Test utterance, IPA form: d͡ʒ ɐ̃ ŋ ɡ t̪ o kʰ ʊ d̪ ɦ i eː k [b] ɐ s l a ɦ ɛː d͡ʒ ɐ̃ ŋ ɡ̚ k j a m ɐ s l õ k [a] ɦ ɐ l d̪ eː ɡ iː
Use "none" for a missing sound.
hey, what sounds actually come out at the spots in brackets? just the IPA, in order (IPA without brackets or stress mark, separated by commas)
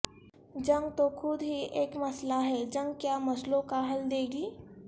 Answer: m, a